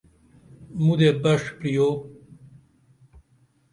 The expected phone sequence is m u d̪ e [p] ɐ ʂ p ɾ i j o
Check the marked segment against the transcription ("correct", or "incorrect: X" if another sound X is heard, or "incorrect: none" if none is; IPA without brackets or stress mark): incorrect: b